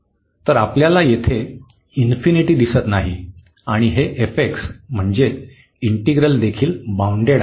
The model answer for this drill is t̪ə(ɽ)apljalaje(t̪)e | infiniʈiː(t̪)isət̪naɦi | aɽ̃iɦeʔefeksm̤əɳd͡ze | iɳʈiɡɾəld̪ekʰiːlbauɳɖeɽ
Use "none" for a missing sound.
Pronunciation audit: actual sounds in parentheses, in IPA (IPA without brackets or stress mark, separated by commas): ɾ, t̪ʰ, d̪